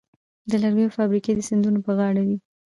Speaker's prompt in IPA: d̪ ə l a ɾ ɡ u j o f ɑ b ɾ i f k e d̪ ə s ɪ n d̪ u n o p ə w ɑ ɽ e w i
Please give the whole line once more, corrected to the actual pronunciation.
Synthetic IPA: d̪ ə l a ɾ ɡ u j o f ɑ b ɾ i k e d̪ ə s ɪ n d̪ u n o p ə ɣ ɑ ɽ a w i